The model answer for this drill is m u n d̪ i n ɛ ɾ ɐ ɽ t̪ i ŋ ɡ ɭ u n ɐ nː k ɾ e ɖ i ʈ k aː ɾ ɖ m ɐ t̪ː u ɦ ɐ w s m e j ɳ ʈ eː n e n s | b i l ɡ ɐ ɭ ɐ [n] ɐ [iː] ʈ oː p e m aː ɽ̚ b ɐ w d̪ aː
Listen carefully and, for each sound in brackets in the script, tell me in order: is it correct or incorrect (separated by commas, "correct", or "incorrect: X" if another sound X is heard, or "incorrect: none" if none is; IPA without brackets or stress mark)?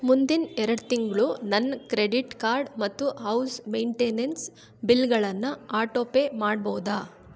incorrect: nː, incorrect: aː